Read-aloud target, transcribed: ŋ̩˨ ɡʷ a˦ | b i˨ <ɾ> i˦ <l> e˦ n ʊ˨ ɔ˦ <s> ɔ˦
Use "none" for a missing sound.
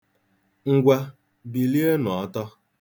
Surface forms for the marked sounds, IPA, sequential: l, none, t

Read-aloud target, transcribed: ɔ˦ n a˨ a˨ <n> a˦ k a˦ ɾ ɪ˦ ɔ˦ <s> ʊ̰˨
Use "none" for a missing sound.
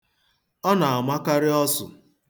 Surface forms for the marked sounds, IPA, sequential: m, s

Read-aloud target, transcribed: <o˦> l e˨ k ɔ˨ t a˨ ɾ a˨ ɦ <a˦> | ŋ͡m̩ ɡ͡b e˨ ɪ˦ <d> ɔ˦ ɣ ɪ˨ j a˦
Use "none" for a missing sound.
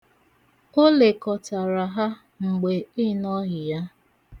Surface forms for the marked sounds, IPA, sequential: o˦, a˦, n

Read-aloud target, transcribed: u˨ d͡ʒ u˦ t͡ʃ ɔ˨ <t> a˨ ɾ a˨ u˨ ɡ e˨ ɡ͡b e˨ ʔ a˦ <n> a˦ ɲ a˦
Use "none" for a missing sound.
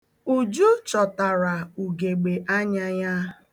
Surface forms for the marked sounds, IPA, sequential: t, ɲ

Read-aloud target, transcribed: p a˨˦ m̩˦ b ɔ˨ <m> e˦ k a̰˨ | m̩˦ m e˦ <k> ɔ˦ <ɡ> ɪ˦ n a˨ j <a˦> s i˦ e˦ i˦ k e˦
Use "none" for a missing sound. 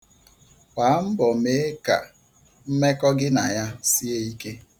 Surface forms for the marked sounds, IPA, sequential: m, k, ɡ, a˦

